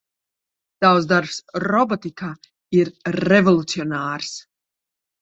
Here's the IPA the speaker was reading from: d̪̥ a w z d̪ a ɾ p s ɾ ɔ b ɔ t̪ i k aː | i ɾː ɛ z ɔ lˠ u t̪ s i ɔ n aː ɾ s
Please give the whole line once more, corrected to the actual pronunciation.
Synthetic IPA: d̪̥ a w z d̪ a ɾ p s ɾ ɔ b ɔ t̪ i k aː | i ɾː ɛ v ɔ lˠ u t̪ s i ɔ n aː ɾ s